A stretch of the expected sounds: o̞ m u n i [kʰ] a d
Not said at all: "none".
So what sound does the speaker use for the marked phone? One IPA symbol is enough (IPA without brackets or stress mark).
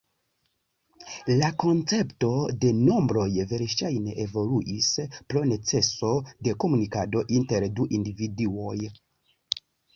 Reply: k